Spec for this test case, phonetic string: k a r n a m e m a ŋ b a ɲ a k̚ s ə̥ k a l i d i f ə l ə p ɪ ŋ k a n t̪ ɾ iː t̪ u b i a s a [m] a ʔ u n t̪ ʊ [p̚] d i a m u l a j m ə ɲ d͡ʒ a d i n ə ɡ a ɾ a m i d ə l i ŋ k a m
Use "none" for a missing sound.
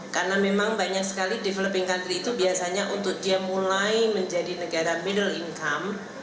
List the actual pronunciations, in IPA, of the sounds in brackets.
ɲ, k̚

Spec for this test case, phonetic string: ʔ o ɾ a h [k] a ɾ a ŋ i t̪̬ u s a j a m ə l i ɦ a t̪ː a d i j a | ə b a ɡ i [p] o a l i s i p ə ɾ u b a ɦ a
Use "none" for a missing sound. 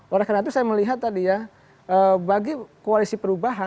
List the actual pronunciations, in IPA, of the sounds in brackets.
k, k

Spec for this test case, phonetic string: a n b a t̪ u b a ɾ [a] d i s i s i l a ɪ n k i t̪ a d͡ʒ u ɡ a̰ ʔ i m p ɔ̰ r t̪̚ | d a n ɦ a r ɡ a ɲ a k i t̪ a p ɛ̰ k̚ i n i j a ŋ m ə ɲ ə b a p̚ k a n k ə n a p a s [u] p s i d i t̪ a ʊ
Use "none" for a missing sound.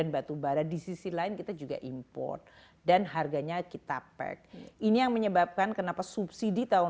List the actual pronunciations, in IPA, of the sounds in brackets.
a, u

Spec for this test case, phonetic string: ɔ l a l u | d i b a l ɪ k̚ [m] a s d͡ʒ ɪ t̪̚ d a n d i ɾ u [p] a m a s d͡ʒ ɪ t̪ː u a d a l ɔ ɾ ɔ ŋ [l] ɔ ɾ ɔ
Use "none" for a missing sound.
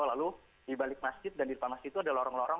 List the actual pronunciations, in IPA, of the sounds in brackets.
m, p, l

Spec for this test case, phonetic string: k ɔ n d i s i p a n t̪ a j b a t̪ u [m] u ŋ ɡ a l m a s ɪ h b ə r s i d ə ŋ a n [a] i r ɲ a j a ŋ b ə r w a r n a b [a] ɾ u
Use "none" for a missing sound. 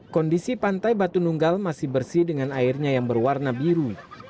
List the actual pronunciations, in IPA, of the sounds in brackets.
n, a, i

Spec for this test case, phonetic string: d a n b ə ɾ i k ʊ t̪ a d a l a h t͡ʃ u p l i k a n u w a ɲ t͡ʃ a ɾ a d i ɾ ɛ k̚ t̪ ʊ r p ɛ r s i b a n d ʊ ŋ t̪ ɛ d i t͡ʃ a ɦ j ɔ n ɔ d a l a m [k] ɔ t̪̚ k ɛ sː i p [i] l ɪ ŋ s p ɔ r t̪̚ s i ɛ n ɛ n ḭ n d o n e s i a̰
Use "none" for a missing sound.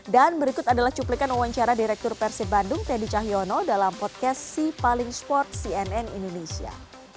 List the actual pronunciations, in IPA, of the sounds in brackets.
p, a

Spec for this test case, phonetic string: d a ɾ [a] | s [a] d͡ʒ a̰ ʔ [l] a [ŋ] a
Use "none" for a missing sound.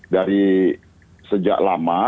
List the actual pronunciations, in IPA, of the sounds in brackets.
i, ə, l, m

